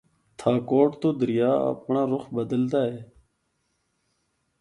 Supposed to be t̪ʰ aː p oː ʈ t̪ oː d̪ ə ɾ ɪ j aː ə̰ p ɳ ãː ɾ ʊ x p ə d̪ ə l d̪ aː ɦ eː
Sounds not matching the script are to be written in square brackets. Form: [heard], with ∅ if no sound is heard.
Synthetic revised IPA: t̪ʰ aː [k] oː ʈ t̪ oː d̪ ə ɾ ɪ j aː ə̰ p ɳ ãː ɾ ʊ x [b] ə d̪ ə l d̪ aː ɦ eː

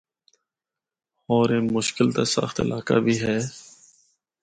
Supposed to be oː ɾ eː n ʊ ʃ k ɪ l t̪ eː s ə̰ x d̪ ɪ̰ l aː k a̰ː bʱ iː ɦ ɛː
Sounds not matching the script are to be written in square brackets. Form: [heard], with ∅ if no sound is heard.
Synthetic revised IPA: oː ɾ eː [m] ʊ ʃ k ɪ l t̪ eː s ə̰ x [t̪] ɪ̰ l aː k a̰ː bʱ iː ɦ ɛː

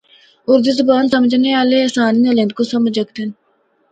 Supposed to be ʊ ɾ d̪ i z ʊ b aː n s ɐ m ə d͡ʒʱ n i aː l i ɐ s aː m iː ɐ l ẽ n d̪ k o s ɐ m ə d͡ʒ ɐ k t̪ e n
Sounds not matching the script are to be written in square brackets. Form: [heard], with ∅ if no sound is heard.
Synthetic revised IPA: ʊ ɾ d̪ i z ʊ b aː n s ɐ m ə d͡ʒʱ n [e] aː l [e] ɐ s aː [n] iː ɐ l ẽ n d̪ k o s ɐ m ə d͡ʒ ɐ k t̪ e n

